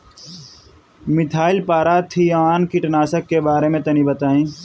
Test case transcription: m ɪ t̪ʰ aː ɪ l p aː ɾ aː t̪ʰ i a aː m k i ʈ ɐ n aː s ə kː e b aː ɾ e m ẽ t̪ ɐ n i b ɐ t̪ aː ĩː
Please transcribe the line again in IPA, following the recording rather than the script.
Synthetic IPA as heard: m ɪ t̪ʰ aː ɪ l p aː ɾ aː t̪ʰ i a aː n k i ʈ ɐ n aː s ə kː e b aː ɾ e m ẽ t̪ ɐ n i b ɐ t̪ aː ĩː

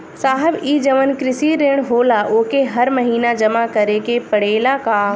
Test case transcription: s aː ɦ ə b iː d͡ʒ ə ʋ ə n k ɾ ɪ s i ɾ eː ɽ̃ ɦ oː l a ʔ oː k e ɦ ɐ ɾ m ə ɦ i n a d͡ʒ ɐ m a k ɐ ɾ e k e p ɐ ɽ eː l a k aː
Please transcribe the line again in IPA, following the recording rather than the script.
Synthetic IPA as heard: s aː ɦ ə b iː d͡ʒ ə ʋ ə n k ɾ ɪ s i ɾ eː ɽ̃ ɦ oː l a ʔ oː k e ɦ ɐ ɾ m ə ɦ iː n a d͡ʒ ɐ m a k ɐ ɾ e k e p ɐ ɽ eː l a k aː

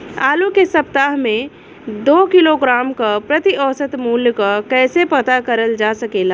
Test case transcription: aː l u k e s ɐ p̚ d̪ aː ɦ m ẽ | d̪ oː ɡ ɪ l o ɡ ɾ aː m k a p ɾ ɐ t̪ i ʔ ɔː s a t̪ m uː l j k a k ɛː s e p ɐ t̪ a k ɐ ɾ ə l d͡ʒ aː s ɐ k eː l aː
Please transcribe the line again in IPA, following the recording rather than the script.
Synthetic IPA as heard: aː l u k e s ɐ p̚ t̪ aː ɦ m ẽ | d̪ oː k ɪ l o ɡ ɾ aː m k a p ɾ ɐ t̪ i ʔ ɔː s ə t̪ m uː l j k a k ɛː s e p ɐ t̪ a k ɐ ɾ ə l d͡ʒ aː s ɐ k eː l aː

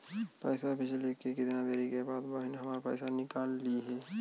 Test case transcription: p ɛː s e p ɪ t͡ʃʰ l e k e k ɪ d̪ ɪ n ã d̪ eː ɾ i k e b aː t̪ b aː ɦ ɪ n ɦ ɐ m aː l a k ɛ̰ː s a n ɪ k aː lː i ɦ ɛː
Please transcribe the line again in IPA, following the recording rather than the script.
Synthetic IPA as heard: p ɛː s a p ɪ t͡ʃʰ l e k e k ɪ d̪ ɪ n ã d̪ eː ɾ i k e b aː d̪ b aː ɦ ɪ n ɦ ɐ m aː ɾ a p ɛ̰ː s a n ɪ k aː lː i ɦ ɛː

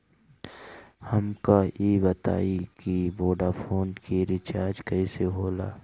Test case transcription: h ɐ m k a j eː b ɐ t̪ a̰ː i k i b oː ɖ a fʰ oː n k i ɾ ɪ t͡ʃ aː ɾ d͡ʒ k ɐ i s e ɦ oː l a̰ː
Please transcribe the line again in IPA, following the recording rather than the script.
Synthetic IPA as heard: h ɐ m k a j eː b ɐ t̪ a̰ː i k i b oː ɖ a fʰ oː n k i ɾ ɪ t͡ʃ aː ɾ d͡ʒ k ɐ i s e ɦ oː l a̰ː

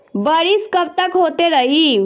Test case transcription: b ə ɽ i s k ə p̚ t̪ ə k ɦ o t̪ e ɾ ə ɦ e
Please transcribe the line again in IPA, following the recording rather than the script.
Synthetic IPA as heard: b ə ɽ i s k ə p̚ t̪ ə k ɦ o t̪ e ɾ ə ɦ i

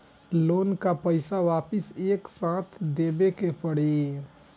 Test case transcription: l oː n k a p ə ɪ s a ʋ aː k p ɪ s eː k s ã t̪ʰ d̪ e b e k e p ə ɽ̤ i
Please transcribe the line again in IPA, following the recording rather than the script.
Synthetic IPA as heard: l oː n k a p ə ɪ s a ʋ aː p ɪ s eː k s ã t̪ʰ d̪ e b e k e p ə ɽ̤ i

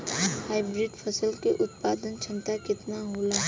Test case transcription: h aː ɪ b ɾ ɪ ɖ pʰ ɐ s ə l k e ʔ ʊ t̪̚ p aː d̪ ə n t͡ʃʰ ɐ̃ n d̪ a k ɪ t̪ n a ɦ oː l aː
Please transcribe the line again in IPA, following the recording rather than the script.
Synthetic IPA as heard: h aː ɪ b ɾ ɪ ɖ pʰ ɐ s ə l k e ʔ ʊ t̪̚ p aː d̪ ə n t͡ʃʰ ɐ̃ n t̪ a k ɪ t̪ n a ɦ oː l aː

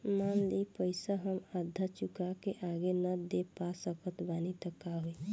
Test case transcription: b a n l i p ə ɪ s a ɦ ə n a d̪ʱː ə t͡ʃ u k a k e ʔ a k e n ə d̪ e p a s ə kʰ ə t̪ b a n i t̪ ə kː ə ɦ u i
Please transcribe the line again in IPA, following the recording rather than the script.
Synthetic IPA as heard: m a n l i p ə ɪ s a ɦ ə m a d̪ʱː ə t͡ʃ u k a k e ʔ a ɡ e n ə d̪ e p a s ə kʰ ə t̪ b a n i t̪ ə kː a ɦ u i

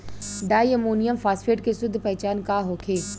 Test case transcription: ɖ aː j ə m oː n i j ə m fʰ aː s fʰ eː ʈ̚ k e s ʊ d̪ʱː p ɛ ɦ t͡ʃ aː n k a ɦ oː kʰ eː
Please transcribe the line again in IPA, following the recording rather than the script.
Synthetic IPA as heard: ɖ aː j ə m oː n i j ə m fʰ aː s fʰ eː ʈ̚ k e s ʊ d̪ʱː p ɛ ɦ t͡ʃ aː n k a ɦ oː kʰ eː

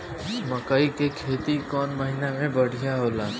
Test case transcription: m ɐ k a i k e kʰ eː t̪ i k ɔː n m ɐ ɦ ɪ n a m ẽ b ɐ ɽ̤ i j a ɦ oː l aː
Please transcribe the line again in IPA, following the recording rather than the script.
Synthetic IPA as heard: m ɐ k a i k e kʰ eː t̪ i k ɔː n m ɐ ɦ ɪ n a m ẽ b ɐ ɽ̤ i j a ɦ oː l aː

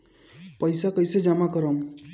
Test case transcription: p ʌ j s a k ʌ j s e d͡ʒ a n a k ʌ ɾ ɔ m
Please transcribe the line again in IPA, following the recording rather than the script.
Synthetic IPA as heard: p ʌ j s a k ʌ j s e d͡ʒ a m a k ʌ ɾ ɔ m

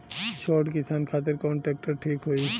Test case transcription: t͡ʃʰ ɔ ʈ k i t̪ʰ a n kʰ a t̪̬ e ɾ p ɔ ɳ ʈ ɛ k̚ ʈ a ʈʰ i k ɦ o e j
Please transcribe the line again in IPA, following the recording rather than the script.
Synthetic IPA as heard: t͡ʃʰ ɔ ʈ k i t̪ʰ a n kʰ a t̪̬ e ɾ k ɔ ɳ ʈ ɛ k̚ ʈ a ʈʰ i k ɦ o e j

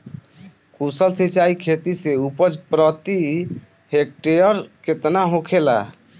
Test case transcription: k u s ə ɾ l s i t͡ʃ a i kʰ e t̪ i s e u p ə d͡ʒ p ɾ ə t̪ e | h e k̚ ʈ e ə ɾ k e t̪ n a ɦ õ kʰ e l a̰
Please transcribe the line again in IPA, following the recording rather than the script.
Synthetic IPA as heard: k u s ə l s i t͡ʃ a i kʰ e t̪ i s e u p ə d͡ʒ p ɾ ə t̪ i | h e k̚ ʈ e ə ɾ k e t̪ n a ɦ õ kʰ e l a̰

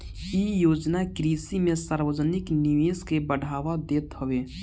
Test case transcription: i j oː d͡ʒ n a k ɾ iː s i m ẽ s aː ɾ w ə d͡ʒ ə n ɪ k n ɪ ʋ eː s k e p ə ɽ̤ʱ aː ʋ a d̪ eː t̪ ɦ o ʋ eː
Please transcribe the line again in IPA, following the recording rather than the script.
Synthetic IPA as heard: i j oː d͡ʒ n a k ɾ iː s i m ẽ s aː ɾ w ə d͡ʒ ə n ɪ k n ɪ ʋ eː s k e b ə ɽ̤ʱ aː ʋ a d̪ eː t̪ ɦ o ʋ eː

